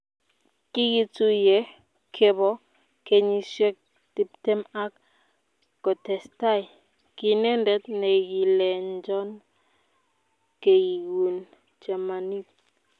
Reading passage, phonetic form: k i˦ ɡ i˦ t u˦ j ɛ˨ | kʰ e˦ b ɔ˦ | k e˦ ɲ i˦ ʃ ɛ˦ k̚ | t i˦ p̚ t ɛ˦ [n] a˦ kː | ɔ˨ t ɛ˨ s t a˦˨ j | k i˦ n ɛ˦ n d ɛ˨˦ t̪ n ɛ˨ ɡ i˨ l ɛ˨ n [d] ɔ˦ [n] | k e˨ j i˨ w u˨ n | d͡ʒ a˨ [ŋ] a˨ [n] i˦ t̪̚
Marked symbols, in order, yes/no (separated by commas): no, no, yes, no, yes